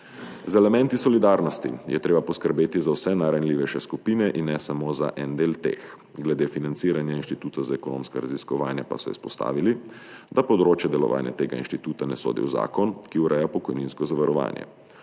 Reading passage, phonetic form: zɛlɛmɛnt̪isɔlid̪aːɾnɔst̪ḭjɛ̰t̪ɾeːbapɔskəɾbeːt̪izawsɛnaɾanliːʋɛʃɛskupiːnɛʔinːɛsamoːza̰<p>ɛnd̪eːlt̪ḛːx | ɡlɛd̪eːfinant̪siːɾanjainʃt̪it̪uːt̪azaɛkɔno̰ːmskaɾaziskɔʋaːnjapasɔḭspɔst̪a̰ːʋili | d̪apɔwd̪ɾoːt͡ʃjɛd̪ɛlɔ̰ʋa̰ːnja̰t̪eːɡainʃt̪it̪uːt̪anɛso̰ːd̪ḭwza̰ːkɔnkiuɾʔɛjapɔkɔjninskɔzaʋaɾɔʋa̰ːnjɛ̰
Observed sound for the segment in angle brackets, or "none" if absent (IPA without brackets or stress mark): ʔ